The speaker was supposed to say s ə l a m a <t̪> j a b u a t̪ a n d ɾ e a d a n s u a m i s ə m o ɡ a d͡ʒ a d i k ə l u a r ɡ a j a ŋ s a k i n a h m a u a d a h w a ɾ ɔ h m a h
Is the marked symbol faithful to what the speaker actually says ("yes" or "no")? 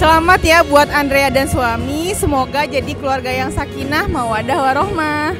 yes